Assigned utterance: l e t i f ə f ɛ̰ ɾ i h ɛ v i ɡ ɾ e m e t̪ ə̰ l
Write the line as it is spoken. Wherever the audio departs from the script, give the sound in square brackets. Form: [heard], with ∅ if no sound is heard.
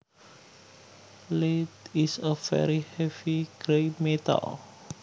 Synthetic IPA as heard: l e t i [s] ə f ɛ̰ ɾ i h ɛ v i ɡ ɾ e m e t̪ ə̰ l